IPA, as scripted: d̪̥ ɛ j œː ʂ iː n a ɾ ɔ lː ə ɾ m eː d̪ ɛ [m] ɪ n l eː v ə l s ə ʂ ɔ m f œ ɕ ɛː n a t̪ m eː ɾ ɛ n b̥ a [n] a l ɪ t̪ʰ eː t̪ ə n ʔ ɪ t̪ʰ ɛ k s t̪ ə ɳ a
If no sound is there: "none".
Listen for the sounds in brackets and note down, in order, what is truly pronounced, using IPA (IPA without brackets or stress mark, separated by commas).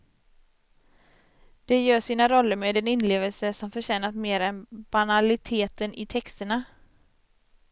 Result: n, n